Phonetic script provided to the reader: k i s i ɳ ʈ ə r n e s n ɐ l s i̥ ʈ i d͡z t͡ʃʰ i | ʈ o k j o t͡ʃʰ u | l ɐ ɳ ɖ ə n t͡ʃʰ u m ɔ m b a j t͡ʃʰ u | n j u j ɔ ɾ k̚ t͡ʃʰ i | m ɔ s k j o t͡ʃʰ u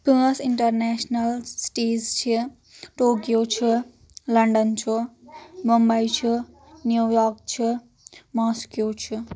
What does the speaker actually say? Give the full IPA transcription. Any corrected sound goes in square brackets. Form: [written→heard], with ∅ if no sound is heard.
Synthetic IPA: [k→p] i s i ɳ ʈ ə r n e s n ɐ l s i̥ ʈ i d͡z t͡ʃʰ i | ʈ o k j o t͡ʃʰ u | l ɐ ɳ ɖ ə n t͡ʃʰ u m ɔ m b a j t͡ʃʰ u | n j u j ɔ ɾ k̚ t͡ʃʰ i | m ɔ s k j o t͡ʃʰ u